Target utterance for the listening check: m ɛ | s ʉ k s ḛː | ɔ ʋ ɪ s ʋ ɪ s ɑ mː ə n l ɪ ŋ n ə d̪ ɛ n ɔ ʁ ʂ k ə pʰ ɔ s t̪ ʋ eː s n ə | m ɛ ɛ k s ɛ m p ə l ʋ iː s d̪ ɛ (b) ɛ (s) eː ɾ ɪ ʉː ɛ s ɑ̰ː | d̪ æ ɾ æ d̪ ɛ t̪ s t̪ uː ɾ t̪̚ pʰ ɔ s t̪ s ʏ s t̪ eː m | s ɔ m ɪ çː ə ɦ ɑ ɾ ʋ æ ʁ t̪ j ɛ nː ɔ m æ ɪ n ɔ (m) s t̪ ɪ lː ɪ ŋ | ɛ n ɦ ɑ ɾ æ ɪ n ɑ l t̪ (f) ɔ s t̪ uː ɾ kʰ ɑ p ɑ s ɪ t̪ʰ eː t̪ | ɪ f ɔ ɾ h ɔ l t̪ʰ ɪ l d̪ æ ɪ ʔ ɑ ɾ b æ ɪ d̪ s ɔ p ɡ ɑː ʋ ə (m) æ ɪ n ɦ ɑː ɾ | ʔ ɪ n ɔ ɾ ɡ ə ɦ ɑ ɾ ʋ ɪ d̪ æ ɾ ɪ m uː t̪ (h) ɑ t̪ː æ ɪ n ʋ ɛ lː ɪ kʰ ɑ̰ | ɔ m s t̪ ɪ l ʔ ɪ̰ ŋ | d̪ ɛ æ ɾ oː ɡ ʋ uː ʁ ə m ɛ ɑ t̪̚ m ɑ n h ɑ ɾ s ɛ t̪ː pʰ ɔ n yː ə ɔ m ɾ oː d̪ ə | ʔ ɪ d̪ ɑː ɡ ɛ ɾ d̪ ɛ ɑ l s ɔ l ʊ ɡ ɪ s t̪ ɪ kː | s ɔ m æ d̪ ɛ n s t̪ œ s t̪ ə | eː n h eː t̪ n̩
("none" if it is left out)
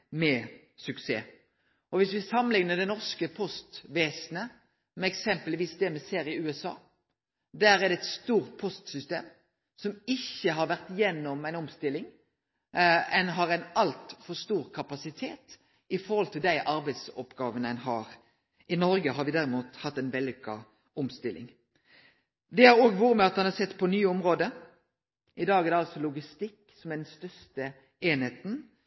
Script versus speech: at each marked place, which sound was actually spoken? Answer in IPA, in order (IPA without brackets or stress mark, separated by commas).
m, s, m, f, n, h